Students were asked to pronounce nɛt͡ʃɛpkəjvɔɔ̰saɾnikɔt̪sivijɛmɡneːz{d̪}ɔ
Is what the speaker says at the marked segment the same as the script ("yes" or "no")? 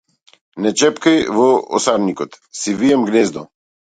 yes